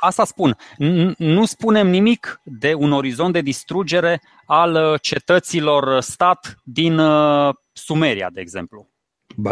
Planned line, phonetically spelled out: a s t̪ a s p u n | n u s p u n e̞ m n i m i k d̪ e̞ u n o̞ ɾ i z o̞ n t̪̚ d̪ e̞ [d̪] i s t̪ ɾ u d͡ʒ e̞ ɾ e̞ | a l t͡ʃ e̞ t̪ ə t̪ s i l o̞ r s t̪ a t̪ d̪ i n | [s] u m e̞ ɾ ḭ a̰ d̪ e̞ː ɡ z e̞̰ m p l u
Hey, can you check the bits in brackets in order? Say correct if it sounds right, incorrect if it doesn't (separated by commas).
correct, correct